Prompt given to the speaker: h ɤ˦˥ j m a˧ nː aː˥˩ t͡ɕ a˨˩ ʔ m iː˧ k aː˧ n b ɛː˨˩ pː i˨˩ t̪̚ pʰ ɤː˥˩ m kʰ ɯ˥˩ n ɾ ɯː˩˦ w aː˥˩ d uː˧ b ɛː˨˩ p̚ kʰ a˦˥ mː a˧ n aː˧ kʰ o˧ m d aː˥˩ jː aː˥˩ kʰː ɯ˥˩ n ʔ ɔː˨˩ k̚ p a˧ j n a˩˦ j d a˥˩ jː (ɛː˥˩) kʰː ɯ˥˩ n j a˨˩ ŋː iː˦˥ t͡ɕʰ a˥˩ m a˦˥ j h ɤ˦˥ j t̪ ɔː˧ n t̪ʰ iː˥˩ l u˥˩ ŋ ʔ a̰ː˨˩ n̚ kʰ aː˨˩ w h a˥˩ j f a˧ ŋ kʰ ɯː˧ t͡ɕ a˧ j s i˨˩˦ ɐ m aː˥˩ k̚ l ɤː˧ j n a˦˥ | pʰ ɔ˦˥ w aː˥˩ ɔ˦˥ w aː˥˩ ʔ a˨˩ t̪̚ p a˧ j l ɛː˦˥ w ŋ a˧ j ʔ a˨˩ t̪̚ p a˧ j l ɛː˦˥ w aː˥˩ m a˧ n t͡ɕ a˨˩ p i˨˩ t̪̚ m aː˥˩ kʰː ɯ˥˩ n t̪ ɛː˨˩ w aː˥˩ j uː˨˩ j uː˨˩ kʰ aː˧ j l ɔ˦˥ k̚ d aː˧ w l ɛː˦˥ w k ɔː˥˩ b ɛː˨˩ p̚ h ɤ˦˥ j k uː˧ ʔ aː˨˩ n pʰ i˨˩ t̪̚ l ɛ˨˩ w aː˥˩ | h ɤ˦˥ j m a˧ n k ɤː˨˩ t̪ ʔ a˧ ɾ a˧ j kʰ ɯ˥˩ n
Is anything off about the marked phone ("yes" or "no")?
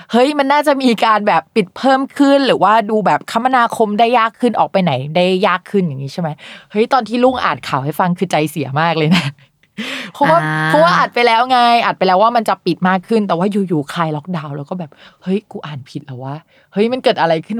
yes